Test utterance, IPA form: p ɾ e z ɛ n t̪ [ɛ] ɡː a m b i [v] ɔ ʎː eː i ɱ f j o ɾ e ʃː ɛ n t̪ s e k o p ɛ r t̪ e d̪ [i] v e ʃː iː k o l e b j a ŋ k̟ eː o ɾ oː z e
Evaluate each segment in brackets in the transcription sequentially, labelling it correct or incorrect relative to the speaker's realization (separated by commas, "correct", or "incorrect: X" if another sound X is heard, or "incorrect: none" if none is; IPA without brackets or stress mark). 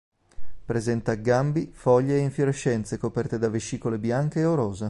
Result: incorrect: a, incorrect: f, incorrect: a